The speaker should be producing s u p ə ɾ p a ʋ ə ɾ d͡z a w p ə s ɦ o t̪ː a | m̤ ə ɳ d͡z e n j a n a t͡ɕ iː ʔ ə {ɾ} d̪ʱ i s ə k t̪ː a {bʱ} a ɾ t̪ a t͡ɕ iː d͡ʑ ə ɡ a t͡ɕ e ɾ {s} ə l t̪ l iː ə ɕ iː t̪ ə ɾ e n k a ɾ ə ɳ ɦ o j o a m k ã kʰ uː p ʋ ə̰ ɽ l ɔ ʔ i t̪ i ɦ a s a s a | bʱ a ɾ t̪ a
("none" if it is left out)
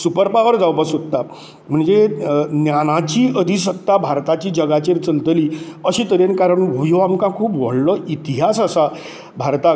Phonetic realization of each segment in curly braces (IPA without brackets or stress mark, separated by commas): none, bʱ, t͡s